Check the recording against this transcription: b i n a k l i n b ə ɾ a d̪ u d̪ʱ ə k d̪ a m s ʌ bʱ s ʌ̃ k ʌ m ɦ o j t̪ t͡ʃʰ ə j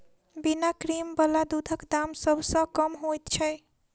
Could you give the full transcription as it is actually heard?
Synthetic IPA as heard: b i n a k ɾ i m b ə l a d̪ u d̪ʱ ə k d̪ a m s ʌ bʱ s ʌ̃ k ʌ m ɦ o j t̪ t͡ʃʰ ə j